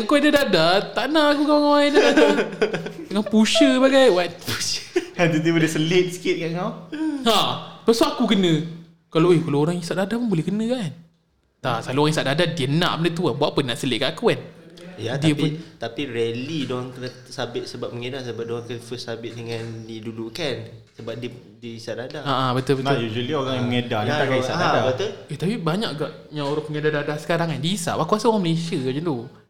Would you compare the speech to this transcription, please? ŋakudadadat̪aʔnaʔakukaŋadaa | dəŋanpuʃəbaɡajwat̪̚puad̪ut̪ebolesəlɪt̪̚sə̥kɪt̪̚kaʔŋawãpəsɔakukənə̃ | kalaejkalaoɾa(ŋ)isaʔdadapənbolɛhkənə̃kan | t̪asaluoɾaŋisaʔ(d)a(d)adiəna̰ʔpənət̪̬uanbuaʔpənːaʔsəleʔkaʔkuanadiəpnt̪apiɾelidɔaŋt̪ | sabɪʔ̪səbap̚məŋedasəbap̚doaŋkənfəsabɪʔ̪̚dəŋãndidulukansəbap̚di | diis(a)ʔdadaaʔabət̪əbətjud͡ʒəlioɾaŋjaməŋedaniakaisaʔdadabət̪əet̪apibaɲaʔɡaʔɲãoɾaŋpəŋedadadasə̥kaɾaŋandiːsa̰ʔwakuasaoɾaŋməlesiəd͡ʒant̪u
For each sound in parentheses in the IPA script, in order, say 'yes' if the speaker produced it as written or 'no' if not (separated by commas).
yes, yes, yes, yes